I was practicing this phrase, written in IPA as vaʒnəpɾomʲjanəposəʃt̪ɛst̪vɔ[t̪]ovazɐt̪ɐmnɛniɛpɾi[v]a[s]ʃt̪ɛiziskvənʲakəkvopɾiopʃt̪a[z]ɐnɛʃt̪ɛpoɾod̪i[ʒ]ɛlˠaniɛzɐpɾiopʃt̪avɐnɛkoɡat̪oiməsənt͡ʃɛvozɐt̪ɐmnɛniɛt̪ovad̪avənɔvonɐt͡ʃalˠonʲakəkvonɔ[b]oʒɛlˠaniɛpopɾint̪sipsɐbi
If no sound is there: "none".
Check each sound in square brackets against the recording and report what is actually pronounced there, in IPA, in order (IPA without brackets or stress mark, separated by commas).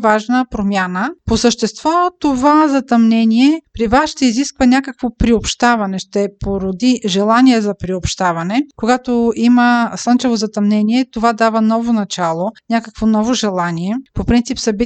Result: t̪, v, s, v, ʒ, v